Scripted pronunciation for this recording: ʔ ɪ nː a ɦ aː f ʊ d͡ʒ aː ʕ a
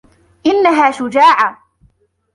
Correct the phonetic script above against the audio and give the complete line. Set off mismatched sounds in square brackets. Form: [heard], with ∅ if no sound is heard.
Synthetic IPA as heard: ʔ ɪ nː a ɦ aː [ʃ] ʊ d͡ʒ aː ʕ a